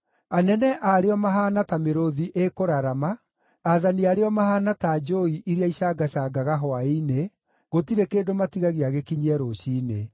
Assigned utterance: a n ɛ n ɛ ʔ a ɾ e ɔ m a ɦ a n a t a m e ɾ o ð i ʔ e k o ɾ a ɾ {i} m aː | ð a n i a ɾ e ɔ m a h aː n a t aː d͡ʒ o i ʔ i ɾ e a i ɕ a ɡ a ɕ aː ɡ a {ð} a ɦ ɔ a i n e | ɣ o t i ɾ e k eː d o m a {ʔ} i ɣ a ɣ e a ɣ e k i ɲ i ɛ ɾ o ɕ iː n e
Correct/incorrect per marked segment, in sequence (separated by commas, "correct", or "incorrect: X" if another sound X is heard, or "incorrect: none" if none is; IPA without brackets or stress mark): incorrect: a, incorrect: ɣ, incorrect: t